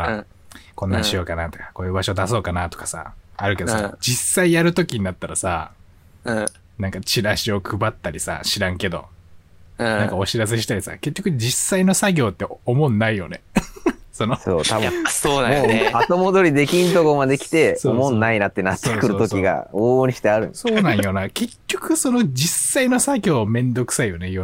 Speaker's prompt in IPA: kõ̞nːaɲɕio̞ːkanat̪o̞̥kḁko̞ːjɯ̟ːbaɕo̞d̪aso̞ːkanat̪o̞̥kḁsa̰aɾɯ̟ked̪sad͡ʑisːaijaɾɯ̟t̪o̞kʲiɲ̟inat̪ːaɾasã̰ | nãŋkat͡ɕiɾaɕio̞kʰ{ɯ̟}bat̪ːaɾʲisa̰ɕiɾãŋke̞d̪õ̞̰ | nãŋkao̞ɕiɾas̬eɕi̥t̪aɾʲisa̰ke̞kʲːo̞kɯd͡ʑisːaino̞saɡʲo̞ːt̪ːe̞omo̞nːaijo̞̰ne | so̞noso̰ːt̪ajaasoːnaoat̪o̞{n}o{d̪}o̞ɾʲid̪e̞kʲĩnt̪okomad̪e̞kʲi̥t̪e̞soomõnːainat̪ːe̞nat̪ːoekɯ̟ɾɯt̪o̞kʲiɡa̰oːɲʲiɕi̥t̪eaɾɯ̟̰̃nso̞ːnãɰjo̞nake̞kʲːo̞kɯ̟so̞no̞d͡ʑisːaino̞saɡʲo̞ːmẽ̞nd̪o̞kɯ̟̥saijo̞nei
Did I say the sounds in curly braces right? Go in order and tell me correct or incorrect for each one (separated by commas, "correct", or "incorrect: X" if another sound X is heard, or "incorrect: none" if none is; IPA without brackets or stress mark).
correct, incorrect: m, correct